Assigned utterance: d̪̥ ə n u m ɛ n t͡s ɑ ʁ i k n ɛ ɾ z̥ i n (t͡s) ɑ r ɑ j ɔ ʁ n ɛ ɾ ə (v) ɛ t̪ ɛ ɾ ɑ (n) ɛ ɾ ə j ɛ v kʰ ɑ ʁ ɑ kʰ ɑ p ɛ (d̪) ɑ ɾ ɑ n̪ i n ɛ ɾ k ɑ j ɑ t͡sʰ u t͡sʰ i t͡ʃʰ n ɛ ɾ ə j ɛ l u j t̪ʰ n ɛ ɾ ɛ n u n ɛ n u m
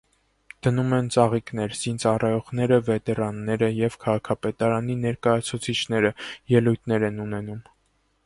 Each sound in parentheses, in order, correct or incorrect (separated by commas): correct, correct, incorrect, incorrect